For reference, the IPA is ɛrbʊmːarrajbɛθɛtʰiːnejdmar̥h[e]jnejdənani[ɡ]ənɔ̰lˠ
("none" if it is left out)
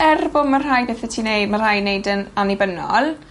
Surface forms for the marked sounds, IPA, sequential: a, b

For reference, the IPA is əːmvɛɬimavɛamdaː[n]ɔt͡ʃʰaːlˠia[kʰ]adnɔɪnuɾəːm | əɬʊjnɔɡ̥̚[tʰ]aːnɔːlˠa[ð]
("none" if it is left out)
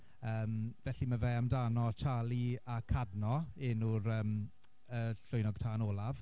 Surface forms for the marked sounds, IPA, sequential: n, kʰ, tʰ, v

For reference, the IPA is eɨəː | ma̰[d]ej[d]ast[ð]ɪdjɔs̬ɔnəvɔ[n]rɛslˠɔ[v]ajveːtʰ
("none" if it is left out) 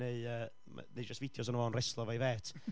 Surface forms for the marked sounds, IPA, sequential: n, d͡ʒ, v, n, v

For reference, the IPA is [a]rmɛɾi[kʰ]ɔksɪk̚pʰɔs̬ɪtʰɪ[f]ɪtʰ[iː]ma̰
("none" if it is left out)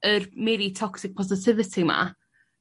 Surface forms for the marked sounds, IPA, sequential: ə, tʰ, v, i

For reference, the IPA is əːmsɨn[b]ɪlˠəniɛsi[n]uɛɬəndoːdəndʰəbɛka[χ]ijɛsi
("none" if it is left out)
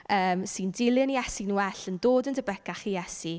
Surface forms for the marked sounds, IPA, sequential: d, n, χ

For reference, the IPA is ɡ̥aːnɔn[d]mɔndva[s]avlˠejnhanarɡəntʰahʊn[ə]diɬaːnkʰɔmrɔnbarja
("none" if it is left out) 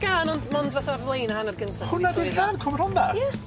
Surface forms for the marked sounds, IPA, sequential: d, θ, a

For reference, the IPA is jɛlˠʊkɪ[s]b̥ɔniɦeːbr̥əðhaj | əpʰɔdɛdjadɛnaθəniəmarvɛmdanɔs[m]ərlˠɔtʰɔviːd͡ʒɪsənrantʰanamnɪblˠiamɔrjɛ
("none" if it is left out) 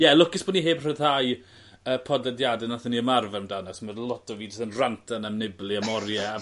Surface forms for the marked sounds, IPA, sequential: s, m

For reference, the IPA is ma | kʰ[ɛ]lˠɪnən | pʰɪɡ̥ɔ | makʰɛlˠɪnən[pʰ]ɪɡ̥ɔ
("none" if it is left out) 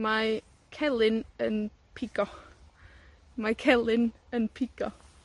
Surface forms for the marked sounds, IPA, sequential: ɛ, pʰ

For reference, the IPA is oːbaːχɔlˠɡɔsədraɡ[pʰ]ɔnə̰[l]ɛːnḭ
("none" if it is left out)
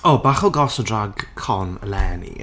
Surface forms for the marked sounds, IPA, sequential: kʰ, l

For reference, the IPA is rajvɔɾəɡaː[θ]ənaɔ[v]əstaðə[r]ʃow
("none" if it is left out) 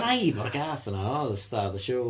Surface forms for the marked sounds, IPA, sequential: θ, ð, none

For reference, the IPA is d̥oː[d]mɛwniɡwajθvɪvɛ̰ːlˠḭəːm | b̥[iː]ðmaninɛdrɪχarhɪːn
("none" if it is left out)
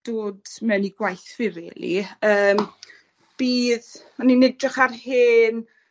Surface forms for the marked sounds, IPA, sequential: d, iː

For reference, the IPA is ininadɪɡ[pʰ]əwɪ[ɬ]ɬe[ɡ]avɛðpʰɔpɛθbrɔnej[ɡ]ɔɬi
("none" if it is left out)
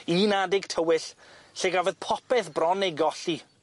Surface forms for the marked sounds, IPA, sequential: tʰ, ɬ, ɡ, ɡ

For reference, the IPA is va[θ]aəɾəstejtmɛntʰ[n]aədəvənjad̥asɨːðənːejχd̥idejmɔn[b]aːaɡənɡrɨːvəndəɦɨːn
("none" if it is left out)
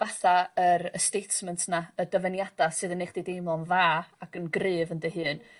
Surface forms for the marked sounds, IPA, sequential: θ, n, v

